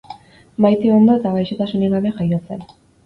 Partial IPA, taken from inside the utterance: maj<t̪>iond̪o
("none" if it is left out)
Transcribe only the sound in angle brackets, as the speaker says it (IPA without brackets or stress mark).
t̪